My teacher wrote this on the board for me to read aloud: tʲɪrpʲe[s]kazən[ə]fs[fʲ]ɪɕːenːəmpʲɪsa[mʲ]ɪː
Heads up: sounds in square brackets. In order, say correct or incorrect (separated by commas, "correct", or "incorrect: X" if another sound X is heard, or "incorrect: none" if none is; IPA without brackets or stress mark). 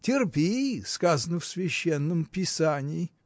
correct, correct, incorrect: vʲ, incorrect: nʲ